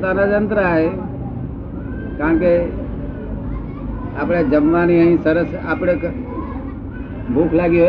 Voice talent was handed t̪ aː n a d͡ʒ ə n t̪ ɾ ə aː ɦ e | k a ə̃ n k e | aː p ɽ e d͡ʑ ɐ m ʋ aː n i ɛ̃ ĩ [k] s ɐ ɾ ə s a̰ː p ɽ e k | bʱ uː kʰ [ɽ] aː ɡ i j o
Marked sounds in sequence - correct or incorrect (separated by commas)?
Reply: incorrect, incorrect